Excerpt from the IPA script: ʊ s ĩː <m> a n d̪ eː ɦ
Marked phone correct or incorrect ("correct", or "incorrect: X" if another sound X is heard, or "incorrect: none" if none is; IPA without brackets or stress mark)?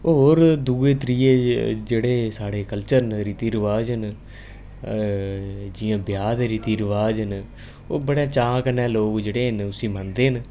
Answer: correct